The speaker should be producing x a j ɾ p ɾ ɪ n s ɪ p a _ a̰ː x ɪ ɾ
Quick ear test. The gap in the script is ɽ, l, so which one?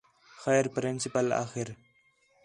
l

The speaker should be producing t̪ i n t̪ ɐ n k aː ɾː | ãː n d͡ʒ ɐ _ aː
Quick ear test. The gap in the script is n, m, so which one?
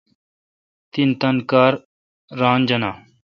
n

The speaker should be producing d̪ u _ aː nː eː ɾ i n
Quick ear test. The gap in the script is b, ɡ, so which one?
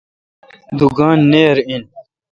ɡ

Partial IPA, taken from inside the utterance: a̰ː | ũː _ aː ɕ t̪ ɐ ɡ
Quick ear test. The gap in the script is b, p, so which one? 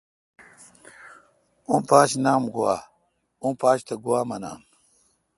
p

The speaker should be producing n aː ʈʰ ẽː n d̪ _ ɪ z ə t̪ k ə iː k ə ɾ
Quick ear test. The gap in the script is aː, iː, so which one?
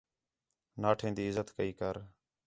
iː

